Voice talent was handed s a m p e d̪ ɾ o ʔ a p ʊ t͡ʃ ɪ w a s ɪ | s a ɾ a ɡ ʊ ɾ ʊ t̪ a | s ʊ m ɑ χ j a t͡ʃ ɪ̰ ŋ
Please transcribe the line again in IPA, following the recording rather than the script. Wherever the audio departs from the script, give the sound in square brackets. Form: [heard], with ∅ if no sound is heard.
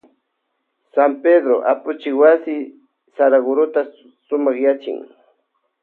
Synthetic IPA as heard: s a m p e d̪ ɾ o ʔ a p ʊ t͡ʃ ɪ w a s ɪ | s a ɾ a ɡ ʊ ɾ ʊ t̪ a | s ʊ m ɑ χ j a t͡ʃ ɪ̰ ŋ